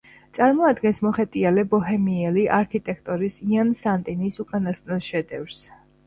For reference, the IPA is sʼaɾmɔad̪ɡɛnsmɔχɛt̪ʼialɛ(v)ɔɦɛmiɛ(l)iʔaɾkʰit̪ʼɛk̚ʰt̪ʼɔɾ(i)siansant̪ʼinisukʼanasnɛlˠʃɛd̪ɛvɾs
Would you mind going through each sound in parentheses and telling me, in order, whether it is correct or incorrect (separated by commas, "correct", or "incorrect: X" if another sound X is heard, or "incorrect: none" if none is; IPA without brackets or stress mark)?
incorrect: b, correct, correct